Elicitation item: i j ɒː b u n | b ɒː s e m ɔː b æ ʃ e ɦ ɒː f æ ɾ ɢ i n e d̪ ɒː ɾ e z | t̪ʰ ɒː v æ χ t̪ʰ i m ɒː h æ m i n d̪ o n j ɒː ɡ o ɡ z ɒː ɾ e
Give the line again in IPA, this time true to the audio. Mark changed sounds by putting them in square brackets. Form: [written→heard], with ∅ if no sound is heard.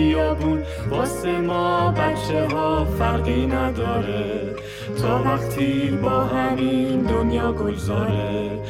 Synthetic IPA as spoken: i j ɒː b u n | b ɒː s e m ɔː b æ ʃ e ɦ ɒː f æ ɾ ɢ i n [e→æ] d̪ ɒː ɾ e [z→∅] | t̪ʰ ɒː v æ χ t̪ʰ i [m→b] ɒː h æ m i n d̪ o n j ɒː ɡ o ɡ z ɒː ɾ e